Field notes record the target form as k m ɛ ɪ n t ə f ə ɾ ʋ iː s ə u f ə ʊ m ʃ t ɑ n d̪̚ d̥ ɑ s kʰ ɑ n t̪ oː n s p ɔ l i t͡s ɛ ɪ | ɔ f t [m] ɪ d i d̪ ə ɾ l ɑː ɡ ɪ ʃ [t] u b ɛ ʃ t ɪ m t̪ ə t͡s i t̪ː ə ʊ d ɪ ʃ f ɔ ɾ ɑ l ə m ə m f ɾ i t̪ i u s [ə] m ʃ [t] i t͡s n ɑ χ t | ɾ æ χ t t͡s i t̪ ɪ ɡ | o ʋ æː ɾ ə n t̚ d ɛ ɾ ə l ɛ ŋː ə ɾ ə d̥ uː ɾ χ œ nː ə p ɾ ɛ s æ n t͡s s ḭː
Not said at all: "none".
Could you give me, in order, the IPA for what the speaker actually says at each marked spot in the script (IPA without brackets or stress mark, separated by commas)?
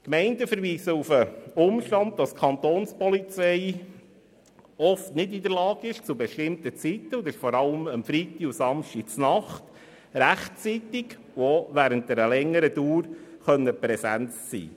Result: n, t͡s, ɑ, t